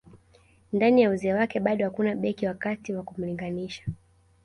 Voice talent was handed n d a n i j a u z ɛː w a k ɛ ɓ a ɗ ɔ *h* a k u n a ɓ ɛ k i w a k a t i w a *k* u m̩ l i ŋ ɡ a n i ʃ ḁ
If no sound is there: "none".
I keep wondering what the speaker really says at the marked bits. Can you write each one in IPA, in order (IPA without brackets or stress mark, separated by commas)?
h, k